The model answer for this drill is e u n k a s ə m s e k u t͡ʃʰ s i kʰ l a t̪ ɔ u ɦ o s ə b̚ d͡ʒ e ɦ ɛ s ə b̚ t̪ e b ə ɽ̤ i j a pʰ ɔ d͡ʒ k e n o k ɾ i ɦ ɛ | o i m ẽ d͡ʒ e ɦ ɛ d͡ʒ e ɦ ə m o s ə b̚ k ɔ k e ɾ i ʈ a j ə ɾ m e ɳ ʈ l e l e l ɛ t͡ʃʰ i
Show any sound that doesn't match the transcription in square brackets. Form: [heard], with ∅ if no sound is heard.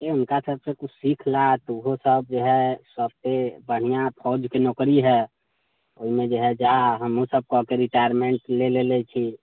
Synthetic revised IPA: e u n k a s ə [b] s e k u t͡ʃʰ s i kʰ l a t̪ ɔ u ɦ o s ə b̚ d͡ʒ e ɦ ɛ s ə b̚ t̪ e b ə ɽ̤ i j a pʰ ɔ d͡ʒ k e n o k ɾ i ɦ ɛ | o i m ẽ d͡ʒ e ɦ ɛ d͡ʒ [a] ɦ ə m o s ə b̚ k ɔ k e ɾ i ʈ a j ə ɾ m e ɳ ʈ l e l e l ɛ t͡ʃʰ i